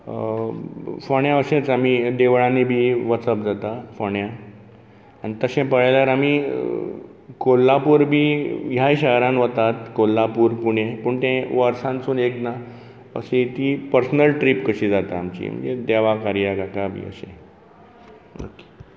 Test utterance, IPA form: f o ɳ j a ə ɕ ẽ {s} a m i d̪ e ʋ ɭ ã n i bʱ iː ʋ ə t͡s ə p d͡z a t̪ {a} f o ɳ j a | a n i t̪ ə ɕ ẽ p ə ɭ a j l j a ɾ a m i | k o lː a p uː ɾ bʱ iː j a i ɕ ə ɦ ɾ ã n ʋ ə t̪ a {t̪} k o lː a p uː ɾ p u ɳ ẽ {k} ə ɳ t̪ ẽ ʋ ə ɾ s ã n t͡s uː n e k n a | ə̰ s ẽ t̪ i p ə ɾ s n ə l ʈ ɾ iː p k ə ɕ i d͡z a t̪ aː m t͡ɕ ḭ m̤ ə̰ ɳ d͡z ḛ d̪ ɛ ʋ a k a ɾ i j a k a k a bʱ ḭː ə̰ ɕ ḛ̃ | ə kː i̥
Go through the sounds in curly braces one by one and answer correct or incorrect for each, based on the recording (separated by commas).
incorrect, correct, correct, incorrect